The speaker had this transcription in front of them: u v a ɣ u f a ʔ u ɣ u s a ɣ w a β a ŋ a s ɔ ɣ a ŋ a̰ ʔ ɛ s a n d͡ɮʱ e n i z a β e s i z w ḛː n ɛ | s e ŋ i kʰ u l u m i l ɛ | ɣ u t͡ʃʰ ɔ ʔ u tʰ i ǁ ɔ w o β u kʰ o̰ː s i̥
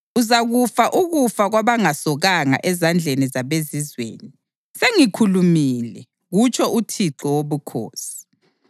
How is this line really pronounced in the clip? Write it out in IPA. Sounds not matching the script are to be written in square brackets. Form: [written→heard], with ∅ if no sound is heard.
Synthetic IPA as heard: u [v→z] a ɣ u f a ʔ u ɣ u [s→f] a ɣ w a β a ŋ a s ɔ ɣ a ŋ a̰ ʔ ɛ [s→z] a n d͡ɮʱ e n i z a β e [s→z] i z w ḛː n [ɛ→i] | s e ŋ i kʰ u l u m i l ɛ | ɣ u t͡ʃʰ ɔ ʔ u tʰ i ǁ ɔ w o β u kʰ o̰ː s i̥